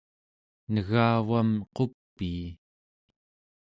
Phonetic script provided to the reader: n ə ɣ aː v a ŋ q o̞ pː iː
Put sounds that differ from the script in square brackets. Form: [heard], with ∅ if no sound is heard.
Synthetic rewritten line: n ə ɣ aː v a [m] q o̞ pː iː